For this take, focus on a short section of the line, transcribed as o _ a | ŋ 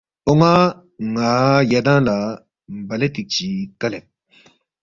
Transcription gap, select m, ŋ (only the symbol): ŋ